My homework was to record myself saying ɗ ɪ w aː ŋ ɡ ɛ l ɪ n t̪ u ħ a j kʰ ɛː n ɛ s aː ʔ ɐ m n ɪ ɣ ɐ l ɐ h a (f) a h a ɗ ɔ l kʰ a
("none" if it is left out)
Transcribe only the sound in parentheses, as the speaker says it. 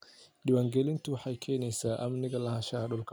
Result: ʃ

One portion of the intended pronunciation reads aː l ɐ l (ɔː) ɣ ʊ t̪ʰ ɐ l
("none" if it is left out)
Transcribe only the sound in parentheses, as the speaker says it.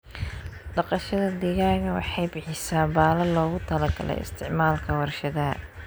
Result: ɔː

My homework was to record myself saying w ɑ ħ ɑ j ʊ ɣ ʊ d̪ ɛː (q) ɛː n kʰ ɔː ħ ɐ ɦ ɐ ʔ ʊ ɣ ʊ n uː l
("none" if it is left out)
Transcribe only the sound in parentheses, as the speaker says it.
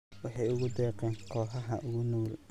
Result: q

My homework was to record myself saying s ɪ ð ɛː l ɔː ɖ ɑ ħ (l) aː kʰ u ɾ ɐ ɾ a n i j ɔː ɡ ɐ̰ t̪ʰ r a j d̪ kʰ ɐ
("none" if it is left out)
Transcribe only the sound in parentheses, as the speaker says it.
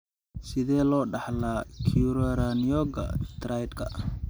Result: l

